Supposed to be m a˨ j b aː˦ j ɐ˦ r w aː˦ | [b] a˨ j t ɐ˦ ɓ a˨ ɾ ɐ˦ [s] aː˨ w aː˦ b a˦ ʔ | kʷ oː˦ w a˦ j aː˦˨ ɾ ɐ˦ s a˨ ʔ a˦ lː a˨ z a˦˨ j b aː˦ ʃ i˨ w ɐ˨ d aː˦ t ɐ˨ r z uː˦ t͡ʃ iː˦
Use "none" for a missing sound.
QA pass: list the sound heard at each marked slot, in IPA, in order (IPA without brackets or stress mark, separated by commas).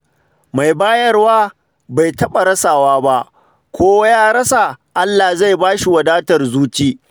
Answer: b, s